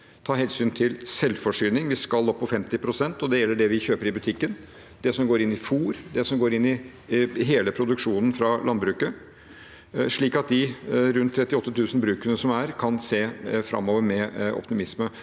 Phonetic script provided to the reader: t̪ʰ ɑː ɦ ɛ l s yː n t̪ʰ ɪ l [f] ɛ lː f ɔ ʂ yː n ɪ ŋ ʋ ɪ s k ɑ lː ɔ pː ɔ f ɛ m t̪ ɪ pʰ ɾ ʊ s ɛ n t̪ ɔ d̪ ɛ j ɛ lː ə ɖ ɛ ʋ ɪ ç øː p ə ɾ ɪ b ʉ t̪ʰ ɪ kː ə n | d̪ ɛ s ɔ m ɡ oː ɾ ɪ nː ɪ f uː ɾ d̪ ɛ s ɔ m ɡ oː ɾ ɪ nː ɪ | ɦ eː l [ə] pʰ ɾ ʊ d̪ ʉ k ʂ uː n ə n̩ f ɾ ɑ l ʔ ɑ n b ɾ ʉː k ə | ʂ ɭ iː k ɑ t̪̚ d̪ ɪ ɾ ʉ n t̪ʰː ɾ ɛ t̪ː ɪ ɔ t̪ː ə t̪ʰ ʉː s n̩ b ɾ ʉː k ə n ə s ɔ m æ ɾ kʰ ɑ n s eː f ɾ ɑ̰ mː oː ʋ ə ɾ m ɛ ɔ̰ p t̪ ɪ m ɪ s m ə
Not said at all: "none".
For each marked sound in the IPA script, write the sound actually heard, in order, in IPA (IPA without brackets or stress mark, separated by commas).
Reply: s, ə